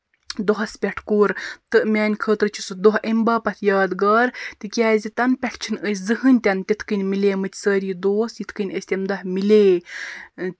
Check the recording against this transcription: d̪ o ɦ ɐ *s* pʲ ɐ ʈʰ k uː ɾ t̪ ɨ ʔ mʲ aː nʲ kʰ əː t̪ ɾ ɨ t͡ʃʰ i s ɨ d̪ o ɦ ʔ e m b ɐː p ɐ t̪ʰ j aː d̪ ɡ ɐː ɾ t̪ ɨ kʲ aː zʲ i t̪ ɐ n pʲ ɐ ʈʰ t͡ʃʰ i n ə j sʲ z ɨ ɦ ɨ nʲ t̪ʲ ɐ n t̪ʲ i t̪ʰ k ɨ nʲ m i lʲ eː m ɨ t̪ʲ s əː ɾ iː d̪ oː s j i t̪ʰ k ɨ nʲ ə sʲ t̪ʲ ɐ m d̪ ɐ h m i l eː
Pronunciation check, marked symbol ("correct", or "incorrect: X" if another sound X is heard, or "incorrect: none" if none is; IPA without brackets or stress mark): correct